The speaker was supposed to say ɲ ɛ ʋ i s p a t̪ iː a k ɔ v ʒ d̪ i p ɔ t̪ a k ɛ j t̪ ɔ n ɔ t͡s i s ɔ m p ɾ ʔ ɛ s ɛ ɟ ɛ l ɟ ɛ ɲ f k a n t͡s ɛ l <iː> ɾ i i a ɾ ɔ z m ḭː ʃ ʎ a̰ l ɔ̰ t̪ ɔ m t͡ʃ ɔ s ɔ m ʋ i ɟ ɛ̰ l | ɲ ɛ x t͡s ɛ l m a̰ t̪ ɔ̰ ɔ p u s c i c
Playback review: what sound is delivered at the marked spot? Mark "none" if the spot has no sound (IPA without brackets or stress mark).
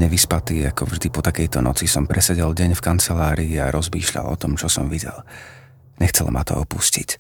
aː